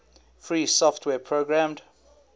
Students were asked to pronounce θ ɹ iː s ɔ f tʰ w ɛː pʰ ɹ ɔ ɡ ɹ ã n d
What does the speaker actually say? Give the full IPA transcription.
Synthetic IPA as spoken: f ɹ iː s ɔ f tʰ w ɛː pʰ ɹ o ɡ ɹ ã m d